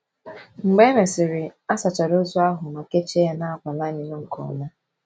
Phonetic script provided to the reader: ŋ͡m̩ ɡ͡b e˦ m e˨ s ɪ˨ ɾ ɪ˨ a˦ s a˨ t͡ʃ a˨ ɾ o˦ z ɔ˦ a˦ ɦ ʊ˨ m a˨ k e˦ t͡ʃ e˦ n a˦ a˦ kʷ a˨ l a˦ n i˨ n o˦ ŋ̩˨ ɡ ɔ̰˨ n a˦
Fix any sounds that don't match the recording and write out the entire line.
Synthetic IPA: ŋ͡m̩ ɡ͡b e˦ m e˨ s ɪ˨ ɾ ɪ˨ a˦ s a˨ t͡ʃ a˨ ɾ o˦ z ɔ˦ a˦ ɦ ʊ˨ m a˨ k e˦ t͡ʃ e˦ n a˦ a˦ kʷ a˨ l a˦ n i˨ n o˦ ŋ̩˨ k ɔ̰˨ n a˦

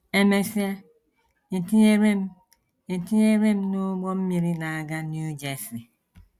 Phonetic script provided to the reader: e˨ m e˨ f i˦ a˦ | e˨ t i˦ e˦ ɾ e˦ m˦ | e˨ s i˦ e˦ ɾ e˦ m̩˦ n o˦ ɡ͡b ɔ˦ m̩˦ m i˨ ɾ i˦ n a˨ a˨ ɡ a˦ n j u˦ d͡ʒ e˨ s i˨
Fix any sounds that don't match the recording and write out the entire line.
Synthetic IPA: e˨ m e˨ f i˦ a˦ | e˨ t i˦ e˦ ɾ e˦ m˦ | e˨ t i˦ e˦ ɾ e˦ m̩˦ n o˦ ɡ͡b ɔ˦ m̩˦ m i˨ ɾ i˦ n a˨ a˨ ɡ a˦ n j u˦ d͡ʒ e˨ s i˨

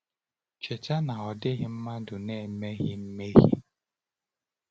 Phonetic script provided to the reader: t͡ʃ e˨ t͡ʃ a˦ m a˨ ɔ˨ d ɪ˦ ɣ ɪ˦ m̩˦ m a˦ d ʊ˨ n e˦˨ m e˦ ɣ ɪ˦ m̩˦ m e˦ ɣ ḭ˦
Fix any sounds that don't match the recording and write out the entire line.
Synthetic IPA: t͡ʃ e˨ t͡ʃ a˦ n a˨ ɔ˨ d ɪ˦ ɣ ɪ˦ m̩˦ m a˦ d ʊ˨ n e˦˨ m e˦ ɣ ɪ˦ m̩˦ m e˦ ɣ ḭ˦

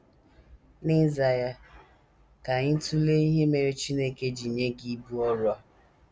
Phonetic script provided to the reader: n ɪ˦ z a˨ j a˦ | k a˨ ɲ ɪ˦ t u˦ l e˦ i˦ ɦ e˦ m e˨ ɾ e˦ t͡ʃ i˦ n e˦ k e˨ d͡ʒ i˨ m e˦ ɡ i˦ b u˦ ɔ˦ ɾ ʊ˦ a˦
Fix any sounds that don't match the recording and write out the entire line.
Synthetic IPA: n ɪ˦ z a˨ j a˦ | k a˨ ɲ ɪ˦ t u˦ l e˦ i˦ ɦ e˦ m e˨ ɾ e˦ t͡ʃ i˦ n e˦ k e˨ d͡ʒ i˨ ɲ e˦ ɡ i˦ b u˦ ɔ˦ ɾ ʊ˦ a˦

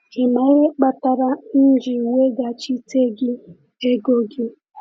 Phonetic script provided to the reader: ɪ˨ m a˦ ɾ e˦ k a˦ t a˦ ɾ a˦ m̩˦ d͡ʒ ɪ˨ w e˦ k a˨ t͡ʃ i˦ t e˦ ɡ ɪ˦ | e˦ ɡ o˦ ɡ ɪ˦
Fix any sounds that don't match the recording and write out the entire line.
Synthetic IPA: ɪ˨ m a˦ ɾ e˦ k͡p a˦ t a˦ ɾ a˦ n̩˦ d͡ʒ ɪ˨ w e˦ ɡ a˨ t͡ʃ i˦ t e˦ ɡ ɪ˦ | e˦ ɡ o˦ ɡ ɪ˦

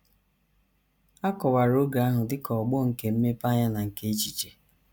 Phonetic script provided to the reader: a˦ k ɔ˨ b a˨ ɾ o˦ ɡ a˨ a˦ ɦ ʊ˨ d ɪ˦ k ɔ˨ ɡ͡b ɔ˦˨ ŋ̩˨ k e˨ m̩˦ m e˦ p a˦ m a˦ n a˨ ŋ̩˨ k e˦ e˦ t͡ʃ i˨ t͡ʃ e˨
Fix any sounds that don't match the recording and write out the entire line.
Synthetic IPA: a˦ k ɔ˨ w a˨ ɾ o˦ ɡ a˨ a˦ ɦ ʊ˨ d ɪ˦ k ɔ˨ ɡ͡b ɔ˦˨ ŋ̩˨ k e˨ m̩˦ m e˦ p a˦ ɲ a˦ n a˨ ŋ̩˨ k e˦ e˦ t͡ʃ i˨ t͡ʃ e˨

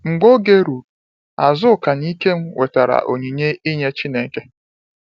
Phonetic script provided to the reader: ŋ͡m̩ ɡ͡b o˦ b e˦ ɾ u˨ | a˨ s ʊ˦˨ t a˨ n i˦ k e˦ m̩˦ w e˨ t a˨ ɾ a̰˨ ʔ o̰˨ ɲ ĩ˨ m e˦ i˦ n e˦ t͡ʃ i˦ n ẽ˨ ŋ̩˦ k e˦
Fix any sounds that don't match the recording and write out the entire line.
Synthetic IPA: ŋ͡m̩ ɡ͡b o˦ ɡ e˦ ɾ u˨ | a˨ z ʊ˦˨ k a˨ n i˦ k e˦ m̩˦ w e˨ t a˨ ɾ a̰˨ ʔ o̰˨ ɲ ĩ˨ ɲ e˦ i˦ ɲ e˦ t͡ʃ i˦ n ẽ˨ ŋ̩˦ k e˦

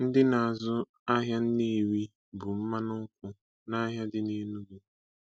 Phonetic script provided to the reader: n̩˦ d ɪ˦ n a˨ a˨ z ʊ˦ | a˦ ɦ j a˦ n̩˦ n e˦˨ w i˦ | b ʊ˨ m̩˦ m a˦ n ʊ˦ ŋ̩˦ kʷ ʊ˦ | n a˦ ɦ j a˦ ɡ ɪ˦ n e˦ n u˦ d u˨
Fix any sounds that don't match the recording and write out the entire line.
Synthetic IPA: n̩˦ d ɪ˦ n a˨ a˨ z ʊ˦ | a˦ ɦ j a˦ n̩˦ n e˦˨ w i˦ | b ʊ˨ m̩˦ m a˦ n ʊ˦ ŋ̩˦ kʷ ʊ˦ | n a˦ ɦ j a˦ d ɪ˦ n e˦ n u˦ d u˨

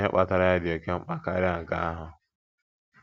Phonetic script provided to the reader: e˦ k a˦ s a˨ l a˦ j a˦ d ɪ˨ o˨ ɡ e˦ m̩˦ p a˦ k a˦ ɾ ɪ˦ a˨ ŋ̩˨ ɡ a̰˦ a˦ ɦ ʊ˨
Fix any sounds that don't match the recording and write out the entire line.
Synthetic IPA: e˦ k͡p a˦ t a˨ ɾ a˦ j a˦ d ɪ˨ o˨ k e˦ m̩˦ k͡p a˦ k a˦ ɾ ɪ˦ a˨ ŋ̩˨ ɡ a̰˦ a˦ ɦ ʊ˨

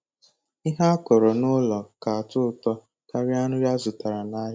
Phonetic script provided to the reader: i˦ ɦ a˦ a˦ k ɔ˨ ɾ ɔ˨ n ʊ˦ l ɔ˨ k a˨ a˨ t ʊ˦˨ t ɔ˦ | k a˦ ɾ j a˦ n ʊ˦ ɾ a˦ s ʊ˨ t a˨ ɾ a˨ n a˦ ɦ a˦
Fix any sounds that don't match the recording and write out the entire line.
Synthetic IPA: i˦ ɦ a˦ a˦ k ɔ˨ ɾ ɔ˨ n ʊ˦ l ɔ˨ k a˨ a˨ t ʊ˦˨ t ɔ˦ | k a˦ ɾ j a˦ n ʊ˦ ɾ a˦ z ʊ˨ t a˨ ɾ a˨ n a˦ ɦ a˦

